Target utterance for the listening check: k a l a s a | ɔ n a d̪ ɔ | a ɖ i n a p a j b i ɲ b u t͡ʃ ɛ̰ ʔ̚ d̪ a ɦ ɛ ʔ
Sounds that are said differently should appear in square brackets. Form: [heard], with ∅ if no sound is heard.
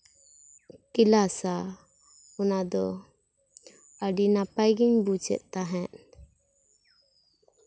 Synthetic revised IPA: k [i] l a s a | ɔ n a d̪ ɔ | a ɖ i n a p a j [ɡ] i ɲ b u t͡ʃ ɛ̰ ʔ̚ [t̪] a ɦ ɛ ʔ